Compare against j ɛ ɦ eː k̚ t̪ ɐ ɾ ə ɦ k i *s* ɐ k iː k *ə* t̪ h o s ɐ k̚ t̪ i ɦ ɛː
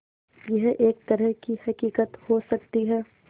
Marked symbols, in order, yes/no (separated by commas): no, yes